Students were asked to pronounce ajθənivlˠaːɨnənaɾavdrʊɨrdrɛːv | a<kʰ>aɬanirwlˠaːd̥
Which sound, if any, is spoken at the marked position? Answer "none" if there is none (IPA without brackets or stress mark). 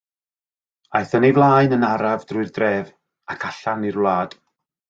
kʰ